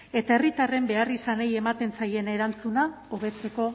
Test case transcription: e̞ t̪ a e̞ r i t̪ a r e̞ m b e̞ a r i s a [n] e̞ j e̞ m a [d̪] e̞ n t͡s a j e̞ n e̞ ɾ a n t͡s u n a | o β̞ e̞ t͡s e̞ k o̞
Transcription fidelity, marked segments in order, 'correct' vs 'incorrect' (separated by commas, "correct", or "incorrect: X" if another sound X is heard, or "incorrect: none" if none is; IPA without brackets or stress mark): correct, incorrect: t̪